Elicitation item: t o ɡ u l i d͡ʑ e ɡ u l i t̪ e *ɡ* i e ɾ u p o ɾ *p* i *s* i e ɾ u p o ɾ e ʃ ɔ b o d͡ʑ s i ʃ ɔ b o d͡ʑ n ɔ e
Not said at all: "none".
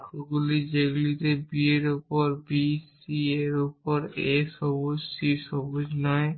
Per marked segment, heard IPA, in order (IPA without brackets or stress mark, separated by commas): b, b, s